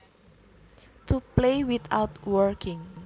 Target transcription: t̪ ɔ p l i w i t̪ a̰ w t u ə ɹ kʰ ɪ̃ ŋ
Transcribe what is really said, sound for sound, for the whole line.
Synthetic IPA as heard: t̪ u p l e w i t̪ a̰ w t w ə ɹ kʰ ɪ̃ ŋ